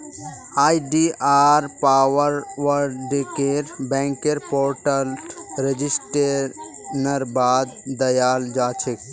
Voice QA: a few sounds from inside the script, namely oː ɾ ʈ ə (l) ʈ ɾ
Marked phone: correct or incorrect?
correct